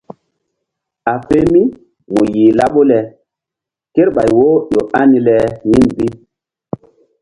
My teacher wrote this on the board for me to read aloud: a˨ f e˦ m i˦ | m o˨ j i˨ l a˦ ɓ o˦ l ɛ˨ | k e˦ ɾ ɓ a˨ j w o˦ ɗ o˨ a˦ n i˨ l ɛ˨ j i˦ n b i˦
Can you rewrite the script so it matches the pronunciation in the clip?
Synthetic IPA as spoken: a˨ f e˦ m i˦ | m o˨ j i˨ l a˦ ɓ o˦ l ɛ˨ | k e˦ ɾ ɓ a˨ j w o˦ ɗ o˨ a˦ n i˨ l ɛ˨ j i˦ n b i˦